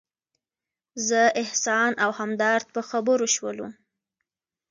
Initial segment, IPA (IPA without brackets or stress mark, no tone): z